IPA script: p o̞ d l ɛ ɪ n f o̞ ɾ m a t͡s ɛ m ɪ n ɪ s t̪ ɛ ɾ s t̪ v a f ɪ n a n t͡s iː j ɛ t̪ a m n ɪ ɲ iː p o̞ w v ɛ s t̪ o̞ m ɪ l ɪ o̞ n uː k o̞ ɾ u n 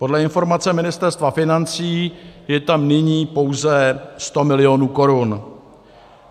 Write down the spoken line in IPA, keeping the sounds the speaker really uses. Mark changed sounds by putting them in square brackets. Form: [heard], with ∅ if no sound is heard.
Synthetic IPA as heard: p o̞ d l ɛ ɪ n f o̞ ɾ m a t͡s ɛ m ɪ n ɪ s t̪ ɛ ɾ s t̪ v a f ɪ n a n t͡s iː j ɛ t̪ a m n ɪ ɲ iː p o̞ w [z] ɛ s t̪ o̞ m ɪ l ɪ o̞ n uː k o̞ ɾ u n